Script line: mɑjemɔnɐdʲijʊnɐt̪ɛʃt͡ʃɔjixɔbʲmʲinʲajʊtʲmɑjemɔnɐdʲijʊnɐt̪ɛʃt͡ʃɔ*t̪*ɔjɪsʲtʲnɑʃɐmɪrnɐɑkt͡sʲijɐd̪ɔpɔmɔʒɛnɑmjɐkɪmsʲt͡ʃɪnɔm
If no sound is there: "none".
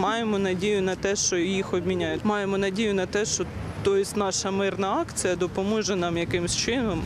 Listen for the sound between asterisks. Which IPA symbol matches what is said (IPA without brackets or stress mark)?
t̪